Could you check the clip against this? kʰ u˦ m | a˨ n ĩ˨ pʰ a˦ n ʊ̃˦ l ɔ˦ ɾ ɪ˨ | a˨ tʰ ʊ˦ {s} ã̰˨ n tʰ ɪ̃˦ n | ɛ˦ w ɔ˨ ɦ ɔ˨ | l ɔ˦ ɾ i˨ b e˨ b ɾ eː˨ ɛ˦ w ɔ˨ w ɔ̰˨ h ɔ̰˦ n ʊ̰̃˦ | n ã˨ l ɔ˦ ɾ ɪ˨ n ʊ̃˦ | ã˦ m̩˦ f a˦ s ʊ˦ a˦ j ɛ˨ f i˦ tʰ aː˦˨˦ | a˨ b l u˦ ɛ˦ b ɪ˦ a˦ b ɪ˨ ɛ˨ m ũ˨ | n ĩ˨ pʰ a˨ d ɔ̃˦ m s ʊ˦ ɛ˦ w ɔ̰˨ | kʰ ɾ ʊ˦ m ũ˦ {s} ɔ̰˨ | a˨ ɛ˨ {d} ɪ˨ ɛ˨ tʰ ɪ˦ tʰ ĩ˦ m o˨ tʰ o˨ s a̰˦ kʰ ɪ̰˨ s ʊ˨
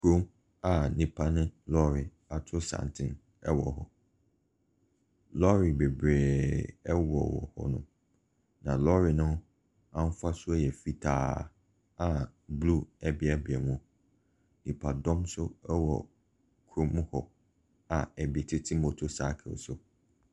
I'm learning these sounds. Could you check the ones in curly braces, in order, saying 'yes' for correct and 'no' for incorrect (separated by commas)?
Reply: yes, no, no